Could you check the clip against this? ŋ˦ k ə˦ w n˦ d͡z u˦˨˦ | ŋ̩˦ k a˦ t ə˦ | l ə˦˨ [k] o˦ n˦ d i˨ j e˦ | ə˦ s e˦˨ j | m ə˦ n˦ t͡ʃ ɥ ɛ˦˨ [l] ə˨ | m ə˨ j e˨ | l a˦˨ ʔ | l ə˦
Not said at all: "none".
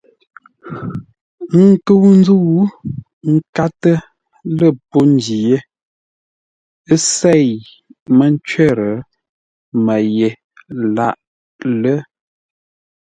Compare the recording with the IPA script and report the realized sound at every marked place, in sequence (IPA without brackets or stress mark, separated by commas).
p, ɾ